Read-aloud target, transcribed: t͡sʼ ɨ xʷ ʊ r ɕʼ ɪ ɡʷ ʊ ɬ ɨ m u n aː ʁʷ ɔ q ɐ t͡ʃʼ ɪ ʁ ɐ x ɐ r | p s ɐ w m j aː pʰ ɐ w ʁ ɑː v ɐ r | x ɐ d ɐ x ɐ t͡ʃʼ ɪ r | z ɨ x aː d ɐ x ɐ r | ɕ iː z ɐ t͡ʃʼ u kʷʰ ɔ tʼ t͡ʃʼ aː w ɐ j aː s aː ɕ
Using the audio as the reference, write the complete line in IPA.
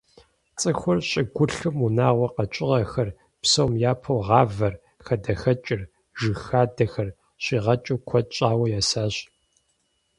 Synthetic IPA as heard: t͡sʼ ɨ xʷ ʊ r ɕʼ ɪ ɡʷ ʊ ɬ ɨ m u n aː ʁʷ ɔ q ɐ t͡ʃʼ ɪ ʁ ɐ x ɐ r | p s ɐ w m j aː pʰ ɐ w ʁ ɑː v ɐ r | x ɐ d ɐ x ɐ t͡ʃʼ ɪ r | ʒ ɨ x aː d ɐ x ɐ r | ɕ iː ʁ ɐ t͡ʃʼ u kʷʰ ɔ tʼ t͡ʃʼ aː w ɐ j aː s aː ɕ